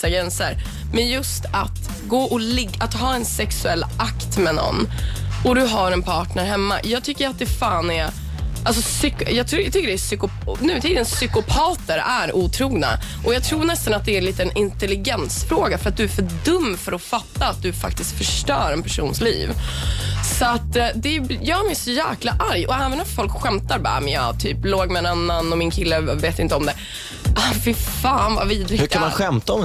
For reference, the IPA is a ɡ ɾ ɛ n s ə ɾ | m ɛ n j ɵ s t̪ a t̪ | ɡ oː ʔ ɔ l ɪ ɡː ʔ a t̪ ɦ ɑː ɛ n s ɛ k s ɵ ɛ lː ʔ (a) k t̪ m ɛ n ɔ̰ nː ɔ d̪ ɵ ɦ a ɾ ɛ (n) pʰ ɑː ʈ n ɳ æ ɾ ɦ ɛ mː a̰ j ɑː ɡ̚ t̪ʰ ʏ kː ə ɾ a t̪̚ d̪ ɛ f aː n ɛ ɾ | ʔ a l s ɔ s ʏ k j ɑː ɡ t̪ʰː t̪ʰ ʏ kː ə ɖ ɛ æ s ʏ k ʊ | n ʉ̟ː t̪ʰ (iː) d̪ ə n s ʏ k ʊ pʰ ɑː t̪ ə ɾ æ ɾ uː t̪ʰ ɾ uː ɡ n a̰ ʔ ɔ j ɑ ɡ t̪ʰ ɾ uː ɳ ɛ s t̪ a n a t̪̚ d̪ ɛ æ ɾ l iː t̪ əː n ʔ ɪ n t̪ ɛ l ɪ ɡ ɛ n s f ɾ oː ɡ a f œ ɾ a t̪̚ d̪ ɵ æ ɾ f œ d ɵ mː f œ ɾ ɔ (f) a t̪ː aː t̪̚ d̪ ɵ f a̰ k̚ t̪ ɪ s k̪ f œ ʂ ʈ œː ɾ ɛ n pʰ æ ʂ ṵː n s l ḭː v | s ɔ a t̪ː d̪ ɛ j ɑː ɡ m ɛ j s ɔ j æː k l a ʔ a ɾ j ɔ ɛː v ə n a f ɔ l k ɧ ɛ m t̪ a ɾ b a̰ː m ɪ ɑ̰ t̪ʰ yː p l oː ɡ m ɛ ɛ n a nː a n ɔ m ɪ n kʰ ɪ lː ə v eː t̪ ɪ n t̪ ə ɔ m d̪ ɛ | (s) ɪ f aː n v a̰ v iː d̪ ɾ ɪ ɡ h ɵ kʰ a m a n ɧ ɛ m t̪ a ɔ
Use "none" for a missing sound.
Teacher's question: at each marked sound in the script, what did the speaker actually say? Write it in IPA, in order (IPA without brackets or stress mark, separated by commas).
a, n, iː, f, f